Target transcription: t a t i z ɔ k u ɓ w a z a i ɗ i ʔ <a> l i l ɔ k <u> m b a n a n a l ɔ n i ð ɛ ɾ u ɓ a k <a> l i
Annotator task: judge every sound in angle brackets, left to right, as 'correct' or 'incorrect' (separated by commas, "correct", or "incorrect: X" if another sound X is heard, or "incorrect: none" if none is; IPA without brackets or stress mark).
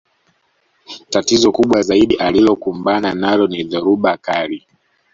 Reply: correct, correct, correct